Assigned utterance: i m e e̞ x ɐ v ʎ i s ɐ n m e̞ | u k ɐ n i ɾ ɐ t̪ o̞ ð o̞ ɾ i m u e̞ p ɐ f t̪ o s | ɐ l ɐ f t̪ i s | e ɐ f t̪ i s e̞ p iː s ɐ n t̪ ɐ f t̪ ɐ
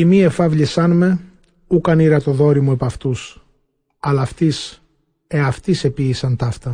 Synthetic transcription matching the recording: i m i e̞ f ɐ v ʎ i s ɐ n m e̞ | u k ɐ n i ɾ ɐ t̪ o̞ ð o̞ ɾ i m u e̞ p ɐ f t̪ u s | ɐ l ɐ f t̪ i s | e ɐ f t̪ i s e̞ p iː s ɐ n t̪ ɐ f t̪ ɐ